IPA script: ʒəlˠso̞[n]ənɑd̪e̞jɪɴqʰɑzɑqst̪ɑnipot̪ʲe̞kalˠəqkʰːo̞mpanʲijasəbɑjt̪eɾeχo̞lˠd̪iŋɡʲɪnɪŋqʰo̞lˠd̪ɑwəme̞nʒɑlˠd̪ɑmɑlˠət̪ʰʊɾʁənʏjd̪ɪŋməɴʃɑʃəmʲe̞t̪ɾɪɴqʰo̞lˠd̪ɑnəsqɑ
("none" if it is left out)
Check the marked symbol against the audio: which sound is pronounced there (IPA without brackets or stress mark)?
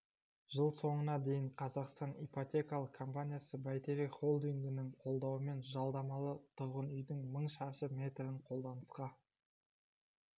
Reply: ɴ